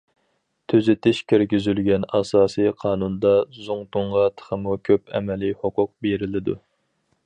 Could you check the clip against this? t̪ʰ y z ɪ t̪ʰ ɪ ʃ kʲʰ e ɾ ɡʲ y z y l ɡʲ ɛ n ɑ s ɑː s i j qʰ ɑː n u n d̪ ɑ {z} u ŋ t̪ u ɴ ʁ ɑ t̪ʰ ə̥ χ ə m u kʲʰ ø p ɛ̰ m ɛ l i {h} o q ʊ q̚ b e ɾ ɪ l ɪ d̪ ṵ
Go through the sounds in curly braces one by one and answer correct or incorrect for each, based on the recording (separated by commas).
correct, correct